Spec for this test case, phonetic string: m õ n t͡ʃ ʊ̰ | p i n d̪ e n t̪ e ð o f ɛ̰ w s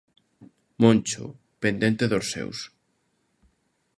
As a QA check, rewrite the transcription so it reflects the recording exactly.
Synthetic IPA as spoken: m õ n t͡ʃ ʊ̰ | p e n d̪ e n t̪ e ð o s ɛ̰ w s